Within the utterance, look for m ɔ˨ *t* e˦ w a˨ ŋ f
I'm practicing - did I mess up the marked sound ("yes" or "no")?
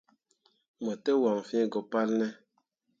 no